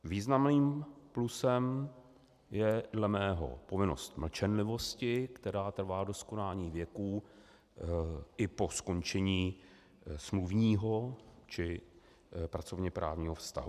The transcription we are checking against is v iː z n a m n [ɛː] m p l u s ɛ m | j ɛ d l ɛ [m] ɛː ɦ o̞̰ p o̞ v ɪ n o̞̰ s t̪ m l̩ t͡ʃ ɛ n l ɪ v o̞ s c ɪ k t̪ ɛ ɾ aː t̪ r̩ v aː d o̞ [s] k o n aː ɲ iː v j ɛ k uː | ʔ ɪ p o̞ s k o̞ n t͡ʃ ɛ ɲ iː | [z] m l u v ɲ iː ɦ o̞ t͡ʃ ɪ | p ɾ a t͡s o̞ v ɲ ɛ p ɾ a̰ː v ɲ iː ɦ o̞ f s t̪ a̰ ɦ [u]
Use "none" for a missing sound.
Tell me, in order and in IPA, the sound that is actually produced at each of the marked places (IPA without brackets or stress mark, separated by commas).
iː, m, s, s, u